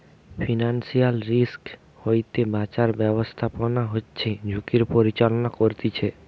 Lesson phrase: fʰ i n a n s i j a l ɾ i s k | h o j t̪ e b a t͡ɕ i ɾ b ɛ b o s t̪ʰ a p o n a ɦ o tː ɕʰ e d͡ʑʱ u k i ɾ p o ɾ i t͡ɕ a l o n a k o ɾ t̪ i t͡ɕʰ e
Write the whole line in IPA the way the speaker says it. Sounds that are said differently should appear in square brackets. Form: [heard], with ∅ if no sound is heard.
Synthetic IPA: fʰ i n a n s i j a l ɾ i s k | h o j t̪ e b a t͡ɕ [a] ɾ b ɛ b o s t̪ʰ a p o n a ɦ o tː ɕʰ e d͡ʑʱ u k i ɾ p o ɾ i t͡ɕ a l o n a k o ɾ t̪ i t͡ɕʰ e